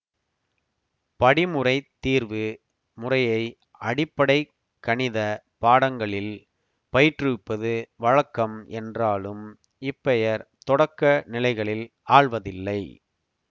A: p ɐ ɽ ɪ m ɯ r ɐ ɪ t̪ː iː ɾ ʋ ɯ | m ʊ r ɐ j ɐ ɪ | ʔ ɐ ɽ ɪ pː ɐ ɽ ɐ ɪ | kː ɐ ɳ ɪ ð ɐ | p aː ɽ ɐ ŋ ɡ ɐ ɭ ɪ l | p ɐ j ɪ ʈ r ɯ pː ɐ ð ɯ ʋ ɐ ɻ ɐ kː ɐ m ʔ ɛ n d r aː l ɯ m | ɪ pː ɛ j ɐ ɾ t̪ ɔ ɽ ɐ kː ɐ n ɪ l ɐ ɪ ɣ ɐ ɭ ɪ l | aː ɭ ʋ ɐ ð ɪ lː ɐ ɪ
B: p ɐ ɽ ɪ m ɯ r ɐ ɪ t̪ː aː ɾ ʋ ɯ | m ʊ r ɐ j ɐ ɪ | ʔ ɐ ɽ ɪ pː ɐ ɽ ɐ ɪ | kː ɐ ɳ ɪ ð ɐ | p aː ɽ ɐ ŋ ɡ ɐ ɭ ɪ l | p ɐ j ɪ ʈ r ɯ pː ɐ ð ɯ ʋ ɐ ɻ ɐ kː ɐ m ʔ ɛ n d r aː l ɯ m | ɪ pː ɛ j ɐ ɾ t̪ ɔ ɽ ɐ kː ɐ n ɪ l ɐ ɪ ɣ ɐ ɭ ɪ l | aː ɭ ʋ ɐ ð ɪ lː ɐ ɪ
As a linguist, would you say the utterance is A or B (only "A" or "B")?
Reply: A